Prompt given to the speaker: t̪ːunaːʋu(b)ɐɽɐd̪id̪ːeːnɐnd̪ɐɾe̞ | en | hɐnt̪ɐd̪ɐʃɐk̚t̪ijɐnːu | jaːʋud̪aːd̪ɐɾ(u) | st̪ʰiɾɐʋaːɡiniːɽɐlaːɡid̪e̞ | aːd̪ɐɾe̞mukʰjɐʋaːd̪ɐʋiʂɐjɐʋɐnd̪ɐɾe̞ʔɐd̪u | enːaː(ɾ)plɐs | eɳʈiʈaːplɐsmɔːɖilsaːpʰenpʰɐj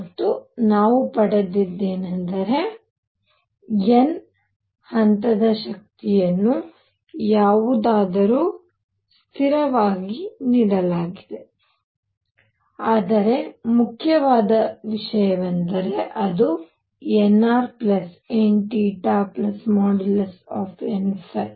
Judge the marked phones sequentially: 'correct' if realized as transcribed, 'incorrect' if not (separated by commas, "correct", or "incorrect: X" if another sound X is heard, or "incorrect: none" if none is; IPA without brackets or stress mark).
incorrect: p, incorrect: uː, correct